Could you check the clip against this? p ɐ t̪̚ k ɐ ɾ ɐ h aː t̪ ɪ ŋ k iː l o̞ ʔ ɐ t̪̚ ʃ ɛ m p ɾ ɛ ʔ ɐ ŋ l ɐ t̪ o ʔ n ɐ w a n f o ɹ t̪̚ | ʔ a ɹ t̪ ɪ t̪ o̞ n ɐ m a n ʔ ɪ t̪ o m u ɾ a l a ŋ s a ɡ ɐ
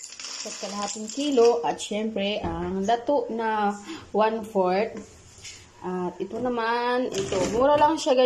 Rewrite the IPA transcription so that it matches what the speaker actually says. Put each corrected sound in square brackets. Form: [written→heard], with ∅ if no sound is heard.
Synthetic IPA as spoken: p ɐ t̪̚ k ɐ [ɾ→l] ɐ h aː t̪ ɪ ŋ k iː l o̞ ʔ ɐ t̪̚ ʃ ɛ m p ɾ ɛ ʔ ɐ ŋ l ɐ t̪ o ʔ n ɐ w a n f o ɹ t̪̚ | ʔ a [ɹ→∅] t̪ ɪ t̪ o̞ n ɐ m a n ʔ ɪ t̪ o m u ɾ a l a ŋ [s→ʃ] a ɡ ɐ

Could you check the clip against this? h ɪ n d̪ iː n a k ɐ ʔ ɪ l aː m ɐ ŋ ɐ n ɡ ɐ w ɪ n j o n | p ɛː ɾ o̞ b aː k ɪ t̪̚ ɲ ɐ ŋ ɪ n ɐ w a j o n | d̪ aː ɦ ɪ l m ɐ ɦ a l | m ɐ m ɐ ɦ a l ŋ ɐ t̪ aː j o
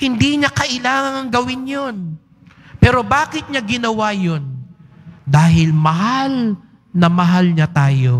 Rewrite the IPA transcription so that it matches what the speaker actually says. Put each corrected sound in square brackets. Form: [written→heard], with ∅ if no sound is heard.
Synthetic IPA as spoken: h ɪ n d̪ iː [n→ɲ] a k ɐ ʔ ɪ l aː [m→ŋ] ɐ ŋ ɐ [n→ŋ] ɡ ɐ w ɪ n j o n | p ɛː ɾ o̞ b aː k ɪ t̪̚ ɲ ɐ [ŋ→ɡ] ɪ n ɐ w a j o n | d̪ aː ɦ ɪ l m ɐ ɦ a l | [m→n] ɐ m ɐ ɦ a l [ŋ→ɲ] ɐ t̪ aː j o

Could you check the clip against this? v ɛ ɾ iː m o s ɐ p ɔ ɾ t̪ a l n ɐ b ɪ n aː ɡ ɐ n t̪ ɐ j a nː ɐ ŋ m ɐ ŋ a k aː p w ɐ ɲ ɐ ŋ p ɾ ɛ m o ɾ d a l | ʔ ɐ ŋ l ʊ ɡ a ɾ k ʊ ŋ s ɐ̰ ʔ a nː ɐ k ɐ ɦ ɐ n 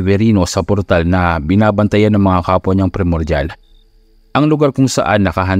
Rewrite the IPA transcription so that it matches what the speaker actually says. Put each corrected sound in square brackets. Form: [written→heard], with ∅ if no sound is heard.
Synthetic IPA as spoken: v ɛ ɾ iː [m→n] o s ɐ p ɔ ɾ t̪ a l n ɐ b ɪ n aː [ɡ→b] ɐ n t̪ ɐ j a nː ɐ ŋ m ɐ ŋ a k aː p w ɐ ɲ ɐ ŋ p ɾ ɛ m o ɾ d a l | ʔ ɐ ŋ l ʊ ɡ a ɾ k ʊ ŋ s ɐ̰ ʔ a nː ɐ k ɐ ɦ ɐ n

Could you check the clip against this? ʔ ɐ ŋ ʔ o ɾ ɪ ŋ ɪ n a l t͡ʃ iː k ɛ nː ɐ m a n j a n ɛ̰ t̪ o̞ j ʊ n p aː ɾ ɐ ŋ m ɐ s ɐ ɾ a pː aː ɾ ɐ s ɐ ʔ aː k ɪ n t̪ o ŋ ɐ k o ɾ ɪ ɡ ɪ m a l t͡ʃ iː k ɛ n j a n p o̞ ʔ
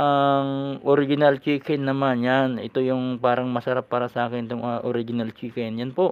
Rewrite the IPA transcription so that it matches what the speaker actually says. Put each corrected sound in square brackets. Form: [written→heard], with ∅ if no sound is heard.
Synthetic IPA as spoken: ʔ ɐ ŋ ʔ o ɾ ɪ [ŋ→ɡ] ɪ n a l t͡ʃ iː k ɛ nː ɐ m a n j a n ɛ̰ t̪ o̞ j ʊ [n→ŋ] p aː ɾ ɐ ŋ m ɐ s ɐ ɾ a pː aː ɾ ɐ s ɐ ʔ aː k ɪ n t̪ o ŋ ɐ [k→ʔ] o ɾ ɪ ɡ ɪ [m→n] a l t͡ʃ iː k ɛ n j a n p o̞ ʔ

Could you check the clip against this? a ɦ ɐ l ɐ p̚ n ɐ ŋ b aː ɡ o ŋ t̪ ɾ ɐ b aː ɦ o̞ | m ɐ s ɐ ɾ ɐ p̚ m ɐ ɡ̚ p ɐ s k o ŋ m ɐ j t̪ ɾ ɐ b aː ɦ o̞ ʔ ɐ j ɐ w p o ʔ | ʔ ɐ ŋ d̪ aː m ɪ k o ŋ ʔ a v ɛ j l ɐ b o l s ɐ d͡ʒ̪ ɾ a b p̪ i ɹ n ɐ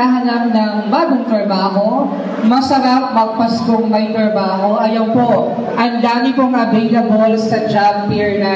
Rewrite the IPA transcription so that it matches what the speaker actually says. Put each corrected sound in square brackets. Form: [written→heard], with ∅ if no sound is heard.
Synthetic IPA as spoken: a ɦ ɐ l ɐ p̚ n ɐ ŋ b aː ɡ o ŋ t̪ ɾ ɐ b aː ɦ o̞ | m ɐ s ɐ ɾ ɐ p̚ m ɐ ɡ̚ p ɐ s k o ŋ m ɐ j t̪ ɾ ɐ b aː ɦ o̞ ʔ ɐ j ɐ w p o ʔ | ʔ ɐ ŋ d̪ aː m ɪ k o ŋ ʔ [a→ɐ] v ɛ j l ɐ b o l s ɐ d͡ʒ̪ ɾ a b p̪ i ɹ n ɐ

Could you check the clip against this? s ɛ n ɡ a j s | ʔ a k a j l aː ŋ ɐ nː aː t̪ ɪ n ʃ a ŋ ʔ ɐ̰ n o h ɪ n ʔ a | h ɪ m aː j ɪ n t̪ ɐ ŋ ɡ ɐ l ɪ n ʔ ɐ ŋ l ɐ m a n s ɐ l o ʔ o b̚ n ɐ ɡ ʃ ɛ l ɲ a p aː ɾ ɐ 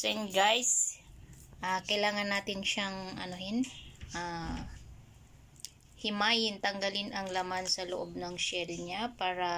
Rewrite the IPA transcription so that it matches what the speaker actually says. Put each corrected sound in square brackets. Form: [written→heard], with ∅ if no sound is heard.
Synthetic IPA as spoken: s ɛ n ɡ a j s | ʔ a k [a→ɐ] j l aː ŋ ɐ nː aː t̪ ɪ n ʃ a ŋ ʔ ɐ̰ n o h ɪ n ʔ a | h ɪ m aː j ɪ n t̪ ɐ ŋ ɡ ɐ l ɪ n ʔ ɐ ŋ l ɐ m a n s ɐ l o ʔ o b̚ n ɐ [ɡ→ŋ] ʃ ɛ l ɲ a p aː ɾ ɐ

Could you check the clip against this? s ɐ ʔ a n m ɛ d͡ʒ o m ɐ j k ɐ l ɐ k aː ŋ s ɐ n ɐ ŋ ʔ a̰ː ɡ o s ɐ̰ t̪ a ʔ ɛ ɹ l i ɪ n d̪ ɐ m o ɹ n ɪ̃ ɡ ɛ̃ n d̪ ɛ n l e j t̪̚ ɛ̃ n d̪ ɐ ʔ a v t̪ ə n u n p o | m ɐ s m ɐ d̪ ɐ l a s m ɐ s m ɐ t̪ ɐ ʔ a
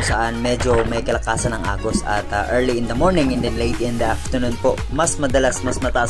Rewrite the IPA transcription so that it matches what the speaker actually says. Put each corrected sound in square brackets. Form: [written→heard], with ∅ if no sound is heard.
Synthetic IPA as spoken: s ɐ ʔ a n m ɛ d͡ʒ o m ɐ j k ɐ l ɐ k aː [ŋ→∅] s ɐ n ɐ ŋ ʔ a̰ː ɡ o s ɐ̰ t̪ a ʔ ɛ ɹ l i ɪ n d̪ ɐ m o ɹ n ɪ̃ [ɡ→ŋ] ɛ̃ n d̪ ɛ n l e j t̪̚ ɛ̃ n d̪ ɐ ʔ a [v→f] t̪ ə n u n p o | m ɐ s m ɐ d̪ ɐ l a s m ɐ s m ɐ t̪ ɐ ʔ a

